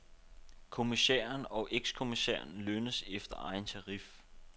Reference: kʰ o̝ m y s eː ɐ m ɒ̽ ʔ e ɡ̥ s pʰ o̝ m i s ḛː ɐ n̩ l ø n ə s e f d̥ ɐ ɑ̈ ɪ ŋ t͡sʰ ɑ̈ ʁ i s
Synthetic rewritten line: kʰ o̝ m i s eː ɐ n ɒ̽ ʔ e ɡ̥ s kʰ o̝ m i s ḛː ɐ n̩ l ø n ə s e f d̥ ɐ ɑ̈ ɪ n t͡sʰ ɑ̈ ʁ i f